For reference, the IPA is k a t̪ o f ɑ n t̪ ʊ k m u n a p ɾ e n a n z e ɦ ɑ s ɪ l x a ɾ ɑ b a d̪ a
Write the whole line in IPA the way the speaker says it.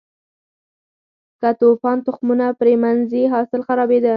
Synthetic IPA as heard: k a t̪ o f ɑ n t̪ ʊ x m u n a p ɾ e m a n z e ɦ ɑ s ɪ l x a ɾ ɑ b e d̪ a

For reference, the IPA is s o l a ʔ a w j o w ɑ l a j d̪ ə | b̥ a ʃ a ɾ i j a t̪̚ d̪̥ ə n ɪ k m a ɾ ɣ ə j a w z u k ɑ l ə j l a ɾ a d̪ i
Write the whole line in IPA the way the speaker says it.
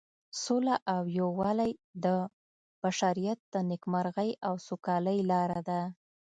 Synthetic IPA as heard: s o l a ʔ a w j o w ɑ l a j d̪ ə | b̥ a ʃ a ɾ i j a t̪̚ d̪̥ ə n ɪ k m a ɾ ɣ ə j a w s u k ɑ l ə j l ɑ ɾ a d̪ a

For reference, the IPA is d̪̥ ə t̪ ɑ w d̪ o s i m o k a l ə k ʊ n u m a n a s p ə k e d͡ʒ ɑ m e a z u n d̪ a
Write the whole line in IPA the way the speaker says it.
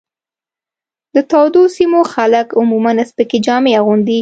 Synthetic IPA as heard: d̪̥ ə t̪ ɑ w d̪ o s i m o x a l ə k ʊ m u m a n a s p ə k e d͡ʒ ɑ m e a ɣ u n d̪ i

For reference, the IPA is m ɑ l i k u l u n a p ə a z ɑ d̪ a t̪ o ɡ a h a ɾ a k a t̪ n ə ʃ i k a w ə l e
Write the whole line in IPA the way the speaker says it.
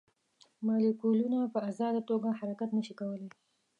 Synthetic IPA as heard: m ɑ l i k u l u n a p ə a z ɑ d̪ a t̪ o ɡ a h a ɾ a k a t̪ n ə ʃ i k a w ə l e

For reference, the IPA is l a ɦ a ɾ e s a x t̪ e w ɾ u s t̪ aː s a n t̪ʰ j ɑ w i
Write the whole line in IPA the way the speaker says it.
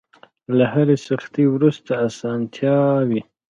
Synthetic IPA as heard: l a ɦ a ɾ e s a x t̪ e w ɾ u s t̪ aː s ɑ n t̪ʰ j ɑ w i

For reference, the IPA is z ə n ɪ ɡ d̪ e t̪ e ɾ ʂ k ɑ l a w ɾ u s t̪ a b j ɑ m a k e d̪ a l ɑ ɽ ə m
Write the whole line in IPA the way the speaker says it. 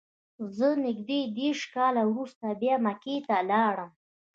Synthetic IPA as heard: z ə n ɪ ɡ d̪ e d̪ e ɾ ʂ k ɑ l a w ɾ u s t̪ a b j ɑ m a k e t̪ a l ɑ ɽ ə m

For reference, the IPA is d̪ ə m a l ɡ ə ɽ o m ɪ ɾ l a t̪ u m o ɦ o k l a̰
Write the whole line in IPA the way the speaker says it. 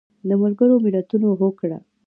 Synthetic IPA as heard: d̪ ə m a l ɡ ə ɾ o m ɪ l a t̪ u n o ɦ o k ɽ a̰

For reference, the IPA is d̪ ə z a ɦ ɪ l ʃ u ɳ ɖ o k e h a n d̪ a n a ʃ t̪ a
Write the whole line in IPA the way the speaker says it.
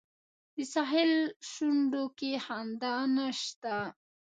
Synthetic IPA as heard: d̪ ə s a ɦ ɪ l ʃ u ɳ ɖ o k e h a n d̪ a n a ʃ t̪ a

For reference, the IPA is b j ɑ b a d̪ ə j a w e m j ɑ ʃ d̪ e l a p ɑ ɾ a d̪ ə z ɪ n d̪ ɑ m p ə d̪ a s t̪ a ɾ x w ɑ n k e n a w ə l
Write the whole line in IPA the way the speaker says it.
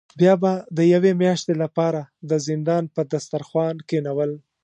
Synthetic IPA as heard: b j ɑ b a d̪ ə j a w e m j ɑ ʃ t̪ e l a p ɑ ɾ a d̪ ə z ɪ n d̪ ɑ n p ə d̪ a s t̪ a ɾ x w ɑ n k e n a w ə l

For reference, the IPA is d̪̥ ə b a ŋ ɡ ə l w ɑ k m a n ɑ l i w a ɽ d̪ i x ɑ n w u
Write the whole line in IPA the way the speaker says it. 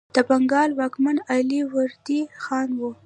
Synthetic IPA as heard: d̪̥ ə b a ŋ ɡ ɑ l w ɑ k m a n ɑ l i w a ɾ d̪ i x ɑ n w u

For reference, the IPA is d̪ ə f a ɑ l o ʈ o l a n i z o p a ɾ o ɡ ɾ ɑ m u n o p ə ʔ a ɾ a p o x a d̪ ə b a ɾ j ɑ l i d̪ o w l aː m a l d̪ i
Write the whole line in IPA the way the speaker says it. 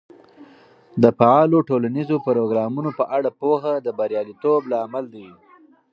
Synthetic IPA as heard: d̪ ə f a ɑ l o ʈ o l a n i z o p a ɾ o ɡ ɾ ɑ m u n o p ə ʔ a ɽ a p o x a d̪ ə b a ɾ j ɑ l i t̪ o b l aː m a l d̪ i

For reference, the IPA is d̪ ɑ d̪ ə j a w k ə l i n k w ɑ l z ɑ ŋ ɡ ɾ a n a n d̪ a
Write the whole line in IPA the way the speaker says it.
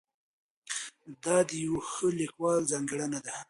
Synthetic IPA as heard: d̪ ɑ d̪ ə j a w x ə l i k w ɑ l z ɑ ŋ ɡ ɽ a n a d̪ a

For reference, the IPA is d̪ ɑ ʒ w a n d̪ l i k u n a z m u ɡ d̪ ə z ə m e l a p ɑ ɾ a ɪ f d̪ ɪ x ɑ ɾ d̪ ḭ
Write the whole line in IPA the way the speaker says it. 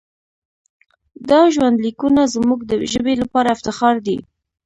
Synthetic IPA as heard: d̪ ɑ ʒ w a n d̪ l i k u n a z m u ɡ d̪ ə ʒ ə b e l a p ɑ ɾ a ɪ f t̪ ɪ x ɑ ɾ d̪ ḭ

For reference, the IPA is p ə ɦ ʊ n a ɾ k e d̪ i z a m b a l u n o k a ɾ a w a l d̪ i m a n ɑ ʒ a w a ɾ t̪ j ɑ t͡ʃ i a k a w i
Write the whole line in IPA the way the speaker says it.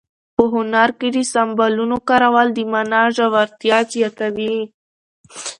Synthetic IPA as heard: p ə ɦ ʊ n a ɾ k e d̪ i s a m b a l u n o k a ɾ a w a l d̪ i m a n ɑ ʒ a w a ɾ t̪ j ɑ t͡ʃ j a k a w i

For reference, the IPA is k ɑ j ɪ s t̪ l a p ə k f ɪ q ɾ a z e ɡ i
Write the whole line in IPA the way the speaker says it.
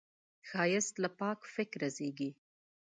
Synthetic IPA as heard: x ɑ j ɪ s t̪ l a p ɑ k f ɪ k ɾ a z e ɡ i

